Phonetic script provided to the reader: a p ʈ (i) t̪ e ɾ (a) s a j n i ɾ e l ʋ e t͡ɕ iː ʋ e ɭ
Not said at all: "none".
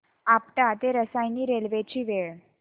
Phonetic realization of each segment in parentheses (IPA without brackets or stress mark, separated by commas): a, ə